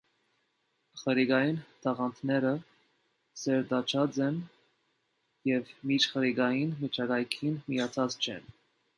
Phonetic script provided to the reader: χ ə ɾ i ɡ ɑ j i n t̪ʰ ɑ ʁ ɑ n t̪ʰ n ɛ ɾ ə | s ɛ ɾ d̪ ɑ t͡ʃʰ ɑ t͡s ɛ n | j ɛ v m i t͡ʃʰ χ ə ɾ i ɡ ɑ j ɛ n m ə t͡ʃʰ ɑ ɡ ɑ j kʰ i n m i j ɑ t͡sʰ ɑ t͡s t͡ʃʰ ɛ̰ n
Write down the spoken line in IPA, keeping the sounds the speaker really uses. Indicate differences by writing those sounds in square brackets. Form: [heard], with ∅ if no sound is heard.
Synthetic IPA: χ ə ɾ i ɡ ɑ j i n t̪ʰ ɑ ʁ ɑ n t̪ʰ n ɛ ɾ ə | s ɛ ɾ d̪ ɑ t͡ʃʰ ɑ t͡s ɛ n | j ɛ v m i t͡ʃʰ χ ə ɾ i ɡ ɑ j [i] n m ə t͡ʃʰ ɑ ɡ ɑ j kʰ i n m i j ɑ t͡sʰ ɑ t͡s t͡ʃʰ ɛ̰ n

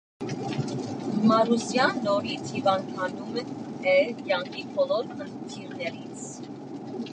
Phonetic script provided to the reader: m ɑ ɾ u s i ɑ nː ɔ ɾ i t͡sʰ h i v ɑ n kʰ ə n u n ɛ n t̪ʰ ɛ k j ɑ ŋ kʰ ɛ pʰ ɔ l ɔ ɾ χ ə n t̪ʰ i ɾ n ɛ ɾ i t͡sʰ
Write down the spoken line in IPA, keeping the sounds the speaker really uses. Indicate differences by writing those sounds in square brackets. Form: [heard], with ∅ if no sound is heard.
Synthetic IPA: m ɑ ɾ u s [j] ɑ nː ɔ ɾ i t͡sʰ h i v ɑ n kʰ [ɑ] n u [m] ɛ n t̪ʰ ɛ k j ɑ ŋ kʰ [i] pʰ ɔ l ɔ ɾ χ ə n t̪ʰ i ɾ n ɛ ɾ i t͡sʰ

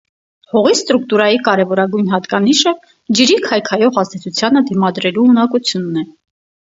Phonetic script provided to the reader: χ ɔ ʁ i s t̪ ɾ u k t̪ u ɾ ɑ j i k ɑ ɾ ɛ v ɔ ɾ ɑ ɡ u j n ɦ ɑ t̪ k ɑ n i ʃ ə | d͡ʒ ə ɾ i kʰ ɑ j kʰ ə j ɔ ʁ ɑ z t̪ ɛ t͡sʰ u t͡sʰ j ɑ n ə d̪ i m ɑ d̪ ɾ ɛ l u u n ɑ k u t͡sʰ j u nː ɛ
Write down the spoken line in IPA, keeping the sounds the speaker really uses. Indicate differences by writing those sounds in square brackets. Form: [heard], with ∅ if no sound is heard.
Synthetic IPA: [h] ɔ ʁ i s t̪ ɾ u k t̪ u ɾ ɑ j i k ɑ ɾ ɛ v ɔ ɾ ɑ ɡ u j n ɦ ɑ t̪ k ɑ n i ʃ ə | d͡ʒ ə ɾ i kʰ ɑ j kʰ [ɑ] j ɔ ʁ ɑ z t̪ ɛ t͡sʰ u t͡sʰ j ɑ n ə d̪ i m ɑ d̪ ɾ ɛ l u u n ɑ k u t͡sʰ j u nː ɛ

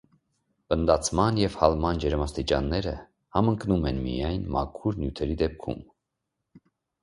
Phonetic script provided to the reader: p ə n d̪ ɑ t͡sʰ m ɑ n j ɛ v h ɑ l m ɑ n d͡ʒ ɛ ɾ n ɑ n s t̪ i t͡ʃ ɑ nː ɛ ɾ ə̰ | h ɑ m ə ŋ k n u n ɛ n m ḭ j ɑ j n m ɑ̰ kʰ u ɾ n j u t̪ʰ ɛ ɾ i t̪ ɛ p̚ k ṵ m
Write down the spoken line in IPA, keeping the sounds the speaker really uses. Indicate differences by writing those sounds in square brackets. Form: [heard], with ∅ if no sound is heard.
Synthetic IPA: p ə n d̪ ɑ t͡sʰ m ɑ n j ɛ v h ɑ l m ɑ n d͡ʒ ɛ ɾ [m] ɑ [∅] s t̪ i t͡ʃ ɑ nː ɛ ɾ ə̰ | h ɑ m ə ŋ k n u [m] ɛ n m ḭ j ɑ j n m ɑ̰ kʰ u ɾ n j u t̪ʰ ɛ ɾ i [d̪] ɛ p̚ [kʰ] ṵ m

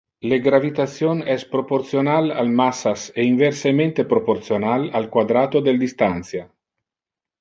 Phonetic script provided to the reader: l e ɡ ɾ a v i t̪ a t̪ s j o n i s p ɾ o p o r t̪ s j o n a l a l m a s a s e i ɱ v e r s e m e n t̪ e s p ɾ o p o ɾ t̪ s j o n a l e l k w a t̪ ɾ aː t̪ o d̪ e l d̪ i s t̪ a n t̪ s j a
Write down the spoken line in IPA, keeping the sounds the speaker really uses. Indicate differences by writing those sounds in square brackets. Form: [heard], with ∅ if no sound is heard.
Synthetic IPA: l e ɡ ɾ a v i t̪ a t̪ s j o n [ɛ] s p ɾ o p o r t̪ s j o n a l a l m a s a s e i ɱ v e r s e m e n t̪ e [∅] p ɾ o p o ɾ t̪ s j o n a l [a] l k w a [d̪] ɾ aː t̪ o d̪ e l d̪ i s t̪ a n t̪ s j a

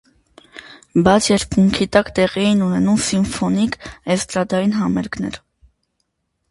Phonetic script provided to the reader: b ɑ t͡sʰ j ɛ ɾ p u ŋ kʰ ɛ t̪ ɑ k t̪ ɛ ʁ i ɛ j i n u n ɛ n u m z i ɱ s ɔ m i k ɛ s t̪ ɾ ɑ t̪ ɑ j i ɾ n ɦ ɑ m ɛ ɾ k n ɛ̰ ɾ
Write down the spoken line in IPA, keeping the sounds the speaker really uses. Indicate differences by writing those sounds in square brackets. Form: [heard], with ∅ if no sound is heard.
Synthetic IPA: b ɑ t͡sʰ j ɛ ɾ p u ŋ kʰ [i] t̪ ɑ k t̪ ɛ ʁ i ɛ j i n u n ɛ n u m [s] i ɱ [f] ɔ [n] i k ɛ s t̪ ɾ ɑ [d̪] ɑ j i [∅] n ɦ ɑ m ɛ ɾ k n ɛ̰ ɾ

